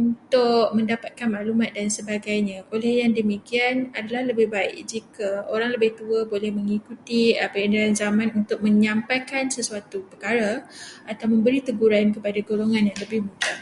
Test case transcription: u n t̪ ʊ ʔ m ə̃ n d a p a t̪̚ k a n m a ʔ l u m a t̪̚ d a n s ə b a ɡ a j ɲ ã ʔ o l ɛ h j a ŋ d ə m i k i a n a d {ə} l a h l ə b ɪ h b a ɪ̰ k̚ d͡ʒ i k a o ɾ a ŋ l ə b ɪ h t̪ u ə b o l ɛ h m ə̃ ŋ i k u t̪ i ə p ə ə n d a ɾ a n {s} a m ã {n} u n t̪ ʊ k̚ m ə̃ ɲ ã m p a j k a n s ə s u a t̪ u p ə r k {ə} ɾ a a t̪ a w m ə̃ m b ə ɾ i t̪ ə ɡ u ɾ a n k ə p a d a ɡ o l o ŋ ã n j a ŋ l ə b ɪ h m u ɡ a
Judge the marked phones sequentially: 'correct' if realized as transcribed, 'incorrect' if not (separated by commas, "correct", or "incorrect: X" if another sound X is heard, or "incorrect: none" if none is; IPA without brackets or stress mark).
incorrect: a, incorrect: z, correct, incorrect: a